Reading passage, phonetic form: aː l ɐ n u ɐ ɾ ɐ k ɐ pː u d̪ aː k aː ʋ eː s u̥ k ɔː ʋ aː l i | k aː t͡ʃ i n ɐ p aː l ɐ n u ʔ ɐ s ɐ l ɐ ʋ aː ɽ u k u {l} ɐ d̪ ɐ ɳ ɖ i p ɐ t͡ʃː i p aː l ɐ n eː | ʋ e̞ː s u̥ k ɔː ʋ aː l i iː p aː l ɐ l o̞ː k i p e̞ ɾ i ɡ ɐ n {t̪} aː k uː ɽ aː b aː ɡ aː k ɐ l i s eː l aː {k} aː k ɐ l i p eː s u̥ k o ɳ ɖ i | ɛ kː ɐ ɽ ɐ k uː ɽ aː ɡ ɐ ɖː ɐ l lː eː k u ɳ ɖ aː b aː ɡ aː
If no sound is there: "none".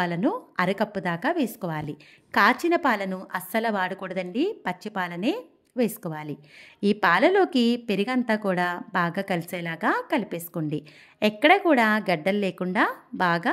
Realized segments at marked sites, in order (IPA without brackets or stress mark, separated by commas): ɽ, t̪, ɡ